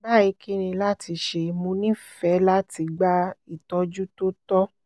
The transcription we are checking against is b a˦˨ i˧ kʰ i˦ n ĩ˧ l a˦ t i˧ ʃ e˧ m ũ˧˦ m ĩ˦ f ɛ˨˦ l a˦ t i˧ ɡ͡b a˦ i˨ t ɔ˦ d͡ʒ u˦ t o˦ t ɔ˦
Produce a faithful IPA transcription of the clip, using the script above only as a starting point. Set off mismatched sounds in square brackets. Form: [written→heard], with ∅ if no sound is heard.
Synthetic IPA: b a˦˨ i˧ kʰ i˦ n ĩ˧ l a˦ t i˧ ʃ e˧ m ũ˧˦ [m→n] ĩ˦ f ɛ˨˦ l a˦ t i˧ ɡ͡b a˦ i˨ t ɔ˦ d͡ʒ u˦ t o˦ t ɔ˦